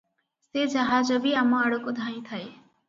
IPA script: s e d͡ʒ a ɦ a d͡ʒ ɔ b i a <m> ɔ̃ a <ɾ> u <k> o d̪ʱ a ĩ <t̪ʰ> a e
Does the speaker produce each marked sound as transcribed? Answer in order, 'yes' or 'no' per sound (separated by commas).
yes, no, yes, yes